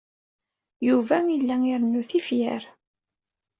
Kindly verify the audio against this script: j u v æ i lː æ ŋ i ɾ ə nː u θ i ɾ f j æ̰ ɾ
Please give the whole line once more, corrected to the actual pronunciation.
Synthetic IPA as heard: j u v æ i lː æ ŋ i ɾ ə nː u θ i f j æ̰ ɾ